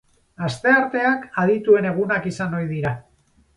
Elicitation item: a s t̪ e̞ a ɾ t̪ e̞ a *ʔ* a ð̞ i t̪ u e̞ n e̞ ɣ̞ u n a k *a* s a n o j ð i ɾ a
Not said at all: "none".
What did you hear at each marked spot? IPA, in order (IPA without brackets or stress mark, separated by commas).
k, i